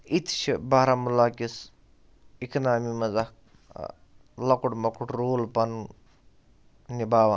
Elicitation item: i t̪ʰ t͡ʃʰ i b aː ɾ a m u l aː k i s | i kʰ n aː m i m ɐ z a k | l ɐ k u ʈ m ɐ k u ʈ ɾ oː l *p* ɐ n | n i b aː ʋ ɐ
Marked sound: correct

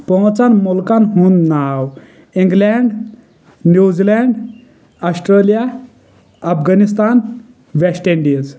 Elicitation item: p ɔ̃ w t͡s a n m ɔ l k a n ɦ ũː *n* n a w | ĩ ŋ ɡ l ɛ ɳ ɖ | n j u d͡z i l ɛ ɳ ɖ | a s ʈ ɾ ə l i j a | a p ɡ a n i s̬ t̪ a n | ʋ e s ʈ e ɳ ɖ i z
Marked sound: correct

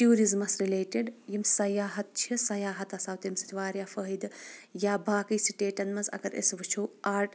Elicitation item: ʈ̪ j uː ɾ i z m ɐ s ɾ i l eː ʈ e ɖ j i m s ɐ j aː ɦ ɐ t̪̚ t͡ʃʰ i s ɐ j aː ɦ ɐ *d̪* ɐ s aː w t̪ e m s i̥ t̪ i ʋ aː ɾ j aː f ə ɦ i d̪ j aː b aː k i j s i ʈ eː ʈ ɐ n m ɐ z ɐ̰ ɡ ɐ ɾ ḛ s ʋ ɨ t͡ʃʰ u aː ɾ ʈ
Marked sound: incorrect: t̪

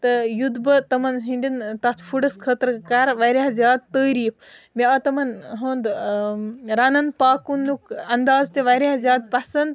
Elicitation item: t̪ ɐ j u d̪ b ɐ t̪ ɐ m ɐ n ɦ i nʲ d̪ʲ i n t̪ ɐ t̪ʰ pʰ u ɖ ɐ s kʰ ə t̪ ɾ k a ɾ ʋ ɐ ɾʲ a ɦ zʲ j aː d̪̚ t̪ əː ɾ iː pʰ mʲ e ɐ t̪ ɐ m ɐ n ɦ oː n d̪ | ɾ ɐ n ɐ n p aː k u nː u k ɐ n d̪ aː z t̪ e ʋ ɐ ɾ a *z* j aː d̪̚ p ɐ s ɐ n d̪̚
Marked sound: correct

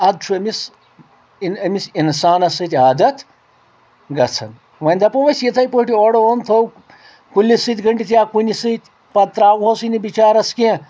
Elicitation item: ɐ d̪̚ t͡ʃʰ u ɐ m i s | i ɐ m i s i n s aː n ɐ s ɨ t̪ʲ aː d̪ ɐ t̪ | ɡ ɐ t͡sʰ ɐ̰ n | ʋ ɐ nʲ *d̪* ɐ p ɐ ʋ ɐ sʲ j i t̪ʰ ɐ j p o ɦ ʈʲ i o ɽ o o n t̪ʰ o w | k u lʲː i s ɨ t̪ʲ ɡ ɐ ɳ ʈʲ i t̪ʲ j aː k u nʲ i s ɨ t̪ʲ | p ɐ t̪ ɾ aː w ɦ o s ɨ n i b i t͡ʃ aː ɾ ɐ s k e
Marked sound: correct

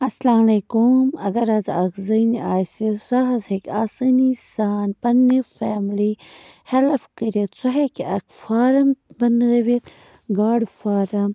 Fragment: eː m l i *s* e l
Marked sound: incorrect: h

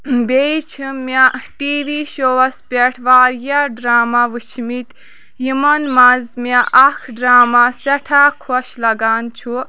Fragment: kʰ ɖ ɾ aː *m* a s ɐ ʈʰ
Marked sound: correct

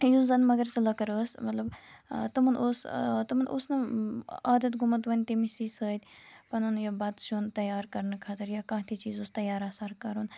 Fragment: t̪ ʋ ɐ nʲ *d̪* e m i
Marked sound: incorrect: t̪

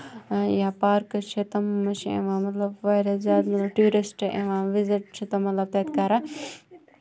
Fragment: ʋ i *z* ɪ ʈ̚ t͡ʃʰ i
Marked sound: correct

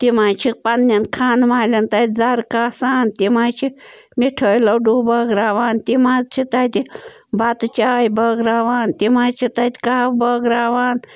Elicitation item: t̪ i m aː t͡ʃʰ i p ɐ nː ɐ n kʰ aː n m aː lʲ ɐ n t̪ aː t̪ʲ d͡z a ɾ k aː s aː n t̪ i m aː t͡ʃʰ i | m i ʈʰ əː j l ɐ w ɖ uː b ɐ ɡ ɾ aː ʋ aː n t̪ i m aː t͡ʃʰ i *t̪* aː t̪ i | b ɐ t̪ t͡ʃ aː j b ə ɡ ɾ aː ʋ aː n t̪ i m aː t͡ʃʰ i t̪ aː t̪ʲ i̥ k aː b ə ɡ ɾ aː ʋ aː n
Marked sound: correct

